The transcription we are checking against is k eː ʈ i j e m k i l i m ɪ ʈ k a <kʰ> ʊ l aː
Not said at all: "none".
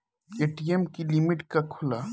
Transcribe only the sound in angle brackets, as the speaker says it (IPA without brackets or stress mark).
kʰ